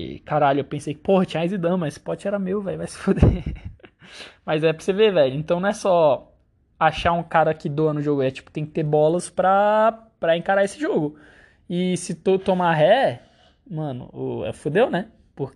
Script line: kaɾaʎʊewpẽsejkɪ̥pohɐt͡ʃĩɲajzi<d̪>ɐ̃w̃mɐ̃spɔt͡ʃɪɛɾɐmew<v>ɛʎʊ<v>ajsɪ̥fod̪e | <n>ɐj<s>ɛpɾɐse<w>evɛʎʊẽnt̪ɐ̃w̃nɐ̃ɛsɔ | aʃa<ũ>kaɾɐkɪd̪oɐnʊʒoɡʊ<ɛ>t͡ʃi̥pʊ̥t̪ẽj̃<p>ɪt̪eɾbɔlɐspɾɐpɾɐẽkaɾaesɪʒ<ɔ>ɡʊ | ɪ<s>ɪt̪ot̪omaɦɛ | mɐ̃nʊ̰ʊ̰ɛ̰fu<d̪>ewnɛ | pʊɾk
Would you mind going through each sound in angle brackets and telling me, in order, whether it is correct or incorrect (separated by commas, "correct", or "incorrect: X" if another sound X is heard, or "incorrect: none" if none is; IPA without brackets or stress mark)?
correct, correct, correct, incorrect: m, incorrect: z, incorrect: v, correct, correct, incorrect: k, incorrect: o, correct, correct